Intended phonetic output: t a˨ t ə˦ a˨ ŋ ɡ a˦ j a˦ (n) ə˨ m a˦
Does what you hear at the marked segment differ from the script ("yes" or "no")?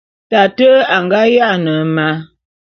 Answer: no